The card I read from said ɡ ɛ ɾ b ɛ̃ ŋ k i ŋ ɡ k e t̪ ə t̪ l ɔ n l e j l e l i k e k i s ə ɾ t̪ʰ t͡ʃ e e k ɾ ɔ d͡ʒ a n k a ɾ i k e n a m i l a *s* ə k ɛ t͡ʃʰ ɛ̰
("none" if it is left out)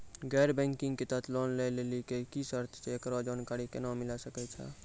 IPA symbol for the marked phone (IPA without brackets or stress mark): s